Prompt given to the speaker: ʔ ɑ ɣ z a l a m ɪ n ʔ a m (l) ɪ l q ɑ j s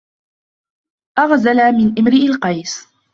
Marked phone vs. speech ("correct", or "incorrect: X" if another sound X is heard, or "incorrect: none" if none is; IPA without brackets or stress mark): incorrect: ɾ